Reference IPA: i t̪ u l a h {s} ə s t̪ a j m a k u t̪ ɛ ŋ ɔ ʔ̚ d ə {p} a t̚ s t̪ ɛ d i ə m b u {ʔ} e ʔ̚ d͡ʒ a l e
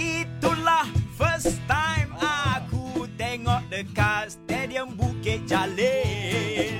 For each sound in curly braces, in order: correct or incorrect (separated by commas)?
incorrect, incorrect, incorrect